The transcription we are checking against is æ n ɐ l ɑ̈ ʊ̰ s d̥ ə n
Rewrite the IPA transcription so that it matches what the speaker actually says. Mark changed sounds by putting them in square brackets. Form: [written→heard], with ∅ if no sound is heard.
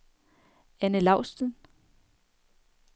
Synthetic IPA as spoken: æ n [ɐ→ə] l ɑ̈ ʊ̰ s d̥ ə n